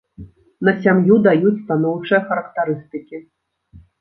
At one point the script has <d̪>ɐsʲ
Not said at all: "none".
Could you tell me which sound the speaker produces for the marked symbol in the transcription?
n̪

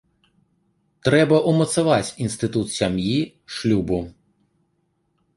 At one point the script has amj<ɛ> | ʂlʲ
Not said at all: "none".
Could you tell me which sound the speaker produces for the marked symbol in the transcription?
i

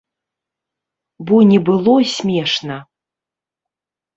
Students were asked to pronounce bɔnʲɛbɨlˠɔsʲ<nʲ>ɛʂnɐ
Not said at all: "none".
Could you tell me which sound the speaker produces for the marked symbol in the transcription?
mʲ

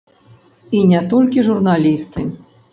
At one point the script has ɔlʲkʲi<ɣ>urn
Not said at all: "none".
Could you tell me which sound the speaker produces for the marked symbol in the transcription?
ʐ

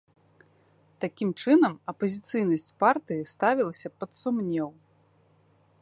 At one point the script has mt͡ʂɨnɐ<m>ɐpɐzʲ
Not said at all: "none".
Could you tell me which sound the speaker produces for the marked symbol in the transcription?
m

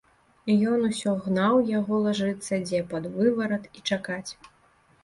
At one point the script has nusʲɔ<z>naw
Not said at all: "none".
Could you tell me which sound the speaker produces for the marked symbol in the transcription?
ɣ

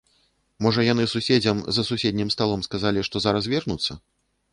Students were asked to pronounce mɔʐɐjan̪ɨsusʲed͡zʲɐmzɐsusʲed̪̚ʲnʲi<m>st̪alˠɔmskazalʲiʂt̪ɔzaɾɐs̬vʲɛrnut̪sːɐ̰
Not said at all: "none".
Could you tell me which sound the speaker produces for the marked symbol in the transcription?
m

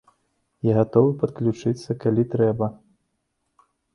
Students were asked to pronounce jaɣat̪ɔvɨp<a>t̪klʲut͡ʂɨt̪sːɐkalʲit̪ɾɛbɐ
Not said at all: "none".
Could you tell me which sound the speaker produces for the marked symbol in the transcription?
ɐ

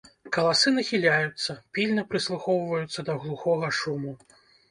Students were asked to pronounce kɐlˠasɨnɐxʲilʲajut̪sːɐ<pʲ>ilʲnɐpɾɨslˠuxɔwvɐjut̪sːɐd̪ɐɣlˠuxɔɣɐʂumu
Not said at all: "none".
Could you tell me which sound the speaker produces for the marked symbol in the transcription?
pʲ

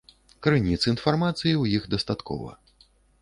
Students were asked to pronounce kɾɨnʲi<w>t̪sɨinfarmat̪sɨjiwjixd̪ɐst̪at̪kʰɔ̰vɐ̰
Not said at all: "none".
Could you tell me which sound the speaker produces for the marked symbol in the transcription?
none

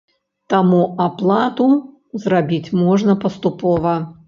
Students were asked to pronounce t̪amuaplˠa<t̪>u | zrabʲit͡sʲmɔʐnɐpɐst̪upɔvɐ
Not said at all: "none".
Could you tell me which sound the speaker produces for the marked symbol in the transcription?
t̪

